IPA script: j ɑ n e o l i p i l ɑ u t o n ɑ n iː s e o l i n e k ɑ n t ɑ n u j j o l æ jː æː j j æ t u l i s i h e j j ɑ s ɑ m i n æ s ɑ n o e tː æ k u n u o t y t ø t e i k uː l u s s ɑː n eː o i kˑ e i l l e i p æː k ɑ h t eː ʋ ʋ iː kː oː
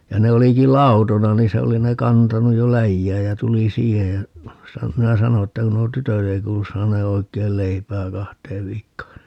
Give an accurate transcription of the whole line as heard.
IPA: j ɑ n e o l i k i l ɑ u t o n ɑ n iː s e o l i n e k ɑ n t ɑ n u j j o l æ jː æː j j æ t u l i s iː h e j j ɑ s ɑ m i n æ s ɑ n o e tː æ k u n u o t y t ø t e i k uː l u s s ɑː n eː o i kˑ e i l l e i p æː k ɑ h t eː ʋ ʋ iː kː oː